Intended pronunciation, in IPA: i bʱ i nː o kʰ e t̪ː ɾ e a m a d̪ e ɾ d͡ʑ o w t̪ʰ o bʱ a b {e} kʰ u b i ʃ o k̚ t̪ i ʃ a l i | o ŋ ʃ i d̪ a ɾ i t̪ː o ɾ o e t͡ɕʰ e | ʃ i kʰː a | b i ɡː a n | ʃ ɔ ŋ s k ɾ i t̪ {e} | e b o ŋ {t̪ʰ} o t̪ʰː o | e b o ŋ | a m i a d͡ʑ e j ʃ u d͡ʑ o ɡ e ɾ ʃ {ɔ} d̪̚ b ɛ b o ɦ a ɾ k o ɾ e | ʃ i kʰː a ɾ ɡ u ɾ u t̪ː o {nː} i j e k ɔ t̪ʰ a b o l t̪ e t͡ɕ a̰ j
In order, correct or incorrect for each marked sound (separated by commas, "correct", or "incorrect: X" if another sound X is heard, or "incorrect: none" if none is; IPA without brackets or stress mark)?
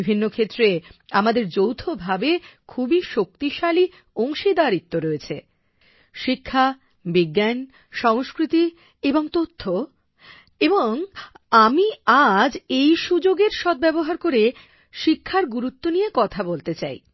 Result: correct, incorrect: i, incorrect: t̪, correct, incorrect: n